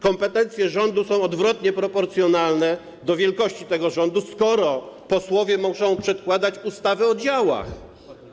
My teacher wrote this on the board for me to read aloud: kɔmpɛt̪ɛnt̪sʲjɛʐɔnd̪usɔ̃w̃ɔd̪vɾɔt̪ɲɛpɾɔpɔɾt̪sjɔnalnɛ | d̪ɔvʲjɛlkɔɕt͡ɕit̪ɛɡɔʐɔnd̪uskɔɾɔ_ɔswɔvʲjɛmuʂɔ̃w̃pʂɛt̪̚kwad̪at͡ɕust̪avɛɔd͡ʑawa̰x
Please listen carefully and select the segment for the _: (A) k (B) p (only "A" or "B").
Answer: B